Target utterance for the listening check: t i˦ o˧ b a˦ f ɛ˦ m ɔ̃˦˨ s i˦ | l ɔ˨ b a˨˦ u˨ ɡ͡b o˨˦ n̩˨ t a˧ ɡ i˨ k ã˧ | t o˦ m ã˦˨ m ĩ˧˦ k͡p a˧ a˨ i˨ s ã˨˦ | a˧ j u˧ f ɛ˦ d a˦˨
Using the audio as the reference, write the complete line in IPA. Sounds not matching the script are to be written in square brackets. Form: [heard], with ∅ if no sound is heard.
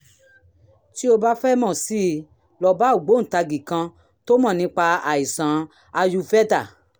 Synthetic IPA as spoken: t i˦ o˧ b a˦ f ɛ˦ m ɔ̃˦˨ s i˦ | l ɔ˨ b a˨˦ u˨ ɡ͡b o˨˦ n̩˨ t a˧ ɡ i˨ k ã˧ | t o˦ m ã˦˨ [n] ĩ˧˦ k͡p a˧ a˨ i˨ s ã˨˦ | a˧ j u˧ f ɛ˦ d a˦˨